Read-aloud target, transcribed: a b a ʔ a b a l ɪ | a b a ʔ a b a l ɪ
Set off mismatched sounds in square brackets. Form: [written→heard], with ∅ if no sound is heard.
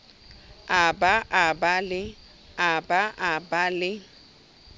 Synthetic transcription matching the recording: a b a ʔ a b a l ɪ | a b a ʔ a b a l ɪ